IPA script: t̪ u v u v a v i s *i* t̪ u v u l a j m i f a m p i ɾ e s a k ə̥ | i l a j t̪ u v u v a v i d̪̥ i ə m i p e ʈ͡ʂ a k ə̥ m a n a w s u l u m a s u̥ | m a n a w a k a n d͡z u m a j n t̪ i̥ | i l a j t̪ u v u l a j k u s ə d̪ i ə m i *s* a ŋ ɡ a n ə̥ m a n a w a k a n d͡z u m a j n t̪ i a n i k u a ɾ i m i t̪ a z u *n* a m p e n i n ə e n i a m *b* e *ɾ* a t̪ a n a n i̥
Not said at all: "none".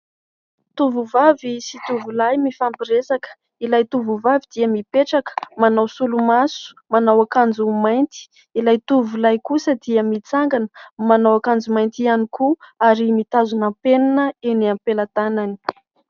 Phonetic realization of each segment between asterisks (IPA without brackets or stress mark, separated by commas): i, t͡s, n, p, l